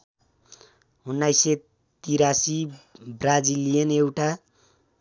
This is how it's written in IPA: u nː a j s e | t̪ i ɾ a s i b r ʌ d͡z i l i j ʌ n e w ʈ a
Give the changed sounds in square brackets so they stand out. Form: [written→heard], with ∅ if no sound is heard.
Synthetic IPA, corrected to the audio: u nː a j s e | t̪ i ɾ a s i b r [ʌ→a] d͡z i l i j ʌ n e w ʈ a